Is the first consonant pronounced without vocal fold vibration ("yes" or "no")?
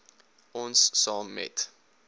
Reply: no